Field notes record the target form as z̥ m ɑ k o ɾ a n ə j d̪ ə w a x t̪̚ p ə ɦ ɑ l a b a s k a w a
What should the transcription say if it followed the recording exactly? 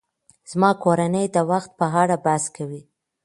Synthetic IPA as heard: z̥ m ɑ k o ɾ a n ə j d̪ ə w a x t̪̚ p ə ɦ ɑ ɽ a b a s k a w i

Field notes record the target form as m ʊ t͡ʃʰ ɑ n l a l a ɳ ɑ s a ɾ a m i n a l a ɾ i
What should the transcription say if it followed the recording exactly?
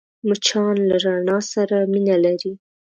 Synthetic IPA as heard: m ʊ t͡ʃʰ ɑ n l a ɾ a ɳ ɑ s a ɾ a m i n a l a ɾ i

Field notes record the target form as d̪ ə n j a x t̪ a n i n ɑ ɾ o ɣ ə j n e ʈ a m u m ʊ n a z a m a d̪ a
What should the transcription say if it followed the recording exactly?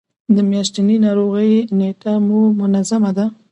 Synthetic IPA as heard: d̪ ə m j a ʃ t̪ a n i n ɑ ɾ o ɣ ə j n e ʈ a m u m ʊ n a z a m a d̪ a

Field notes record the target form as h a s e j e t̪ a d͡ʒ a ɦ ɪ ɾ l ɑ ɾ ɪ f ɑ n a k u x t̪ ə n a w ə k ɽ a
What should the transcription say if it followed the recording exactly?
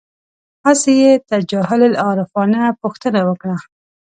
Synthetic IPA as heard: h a s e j e t̪ a d͡ʒ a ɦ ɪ l l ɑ ɾ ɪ f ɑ n a p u x t̪ ə n a w ə k ɽ a

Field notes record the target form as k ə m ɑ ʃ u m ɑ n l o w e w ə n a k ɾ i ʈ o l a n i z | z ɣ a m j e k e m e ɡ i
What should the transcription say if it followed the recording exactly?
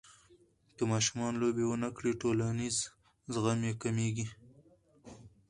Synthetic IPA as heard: k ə m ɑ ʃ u m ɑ n l o b e w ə n a k ɽ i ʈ o l a n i z | z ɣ a m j e k a m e ɡ i

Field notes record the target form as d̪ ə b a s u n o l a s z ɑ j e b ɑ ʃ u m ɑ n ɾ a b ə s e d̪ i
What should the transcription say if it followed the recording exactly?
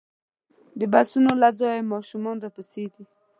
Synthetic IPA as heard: d̪ ə b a s u n o l a z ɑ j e m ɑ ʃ u m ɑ n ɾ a p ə s e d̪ i

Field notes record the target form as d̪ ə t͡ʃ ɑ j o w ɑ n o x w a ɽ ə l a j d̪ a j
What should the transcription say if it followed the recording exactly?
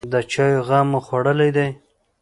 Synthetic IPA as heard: d̪ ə t͡ʃ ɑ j o ɣ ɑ m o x w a ɽ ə l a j d̪ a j

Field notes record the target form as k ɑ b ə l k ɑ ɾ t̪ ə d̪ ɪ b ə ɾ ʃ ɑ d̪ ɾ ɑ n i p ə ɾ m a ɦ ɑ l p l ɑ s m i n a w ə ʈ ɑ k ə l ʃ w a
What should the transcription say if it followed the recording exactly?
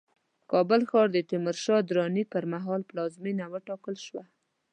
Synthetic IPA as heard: k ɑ b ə l x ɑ ɾ d̪ ə t̪ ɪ m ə ɾ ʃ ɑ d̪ ɾ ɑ n i p ə ɾ m a ɦ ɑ l p l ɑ z m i n a w ə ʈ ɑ k ə l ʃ w a

